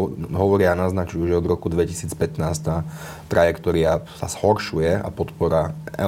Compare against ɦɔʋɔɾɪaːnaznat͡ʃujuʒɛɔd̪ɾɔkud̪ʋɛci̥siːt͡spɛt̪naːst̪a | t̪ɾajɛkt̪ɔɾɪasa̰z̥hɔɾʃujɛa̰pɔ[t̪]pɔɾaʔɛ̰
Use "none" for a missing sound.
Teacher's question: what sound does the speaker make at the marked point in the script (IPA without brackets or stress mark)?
t̪